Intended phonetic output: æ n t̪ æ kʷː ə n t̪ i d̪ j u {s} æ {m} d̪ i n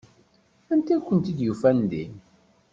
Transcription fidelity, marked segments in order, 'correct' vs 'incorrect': incorrect: f, incorrect: n

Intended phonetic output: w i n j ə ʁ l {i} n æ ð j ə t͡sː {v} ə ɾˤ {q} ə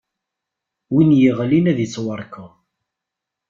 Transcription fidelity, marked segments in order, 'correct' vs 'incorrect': correct, incorrect: w, incorrect: k

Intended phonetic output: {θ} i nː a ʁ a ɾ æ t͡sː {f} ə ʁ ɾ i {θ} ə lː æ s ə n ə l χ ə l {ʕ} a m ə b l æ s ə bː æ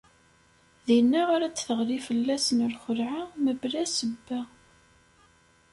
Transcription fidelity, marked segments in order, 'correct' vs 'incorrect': incorrect: ð, incorrect: θ, incorrect: f, correct

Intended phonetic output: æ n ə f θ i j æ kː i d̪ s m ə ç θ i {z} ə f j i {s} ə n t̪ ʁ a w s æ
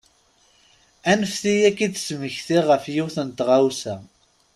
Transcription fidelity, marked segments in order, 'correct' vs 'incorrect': incorrect: ʁ, incorrect: θ

